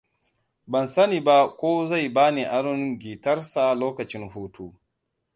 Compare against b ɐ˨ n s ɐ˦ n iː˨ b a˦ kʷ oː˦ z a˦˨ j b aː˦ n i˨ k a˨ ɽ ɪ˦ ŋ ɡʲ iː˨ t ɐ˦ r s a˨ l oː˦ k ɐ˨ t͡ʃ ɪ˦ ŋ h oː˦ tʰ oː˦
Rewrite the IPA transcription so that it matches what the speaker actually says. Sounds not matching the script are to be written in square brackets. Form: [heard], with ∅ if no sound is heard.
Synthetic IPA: b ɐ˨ n s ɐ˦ n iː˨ b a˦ kʷ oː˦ z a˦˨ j b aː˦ n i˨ [ʔ] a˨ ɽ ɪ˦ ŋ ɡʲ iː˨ t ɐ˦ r s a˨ l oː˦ k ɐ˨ t͡ʃ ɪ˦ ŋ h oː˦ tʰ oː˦